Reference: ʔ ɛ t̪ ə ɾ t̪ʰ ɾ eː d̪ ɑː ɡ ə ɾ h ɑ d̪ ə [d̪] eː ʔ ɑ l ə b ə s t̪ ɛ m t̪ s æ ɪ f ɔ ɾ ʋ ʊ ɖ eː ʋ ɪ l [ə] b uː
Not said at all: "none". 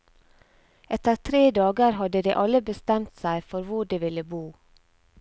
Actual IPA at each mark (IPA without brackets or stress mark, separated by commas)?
d̪, ə